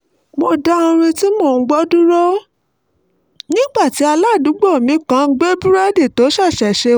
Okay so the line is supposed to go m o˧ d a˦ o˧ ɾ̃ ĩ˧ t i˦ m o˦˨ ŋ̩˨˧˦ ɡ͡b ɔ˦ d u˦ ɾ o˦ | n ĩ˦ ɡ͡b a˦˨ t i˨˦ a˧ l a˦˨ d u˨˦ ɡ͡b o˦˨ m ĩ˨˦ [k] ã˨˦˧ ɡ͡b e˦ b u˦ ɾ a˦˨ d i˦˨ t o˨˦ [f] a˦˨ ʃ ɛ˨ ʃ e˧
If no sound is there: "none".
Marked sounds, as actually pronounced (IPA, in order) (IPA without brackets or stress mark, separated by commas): k, ʃ